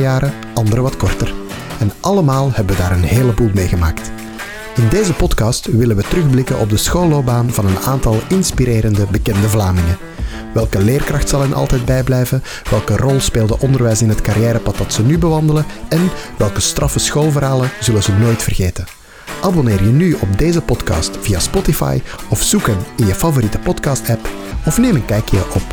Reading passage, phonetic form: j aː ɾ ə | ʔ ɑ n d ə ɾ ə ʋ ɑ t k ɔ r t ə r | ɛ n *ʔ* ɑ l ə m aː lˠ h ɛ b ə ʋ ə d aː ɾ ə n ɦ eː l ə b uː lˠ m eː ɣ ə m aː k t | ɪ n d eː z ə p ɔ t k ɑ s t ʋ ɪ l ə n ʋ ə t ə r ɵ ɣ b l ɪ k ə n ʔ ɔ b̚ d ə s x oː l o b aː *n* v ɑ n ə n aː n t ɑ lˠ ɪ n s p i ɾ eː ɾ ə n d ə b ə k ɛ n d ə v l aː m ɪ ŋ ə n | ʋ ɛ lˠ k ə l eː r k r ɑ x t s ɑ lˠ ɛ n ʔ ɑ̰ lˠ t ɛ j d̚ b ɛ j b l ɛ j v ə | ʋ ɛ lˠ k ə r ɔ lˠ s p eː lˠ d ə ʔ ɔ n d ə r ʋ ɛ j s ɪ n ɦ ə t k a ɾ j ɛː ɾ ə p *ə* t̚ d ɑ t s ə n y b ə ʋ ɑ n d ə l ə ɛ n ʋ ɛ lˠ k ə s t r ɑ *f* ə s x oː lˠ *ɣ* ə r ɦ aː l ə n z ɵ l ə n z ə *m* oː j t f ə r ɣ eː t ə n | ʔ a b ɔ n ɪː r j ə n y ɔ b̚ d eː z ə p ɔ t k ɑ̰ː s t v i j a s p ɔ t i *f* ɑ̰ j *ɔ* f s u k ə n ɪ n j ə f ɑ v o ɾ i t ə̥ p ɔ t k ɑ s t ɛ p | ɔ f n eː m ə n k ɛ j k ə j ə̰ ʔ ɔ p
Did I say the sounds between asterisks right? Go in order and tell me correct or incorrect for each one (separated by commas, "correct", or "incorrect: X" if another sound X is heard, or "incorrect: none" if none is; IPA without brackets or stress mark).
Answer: correct, correct, incorrect: ɑ, correct, incorrect: v, incorrect: n, correct, correct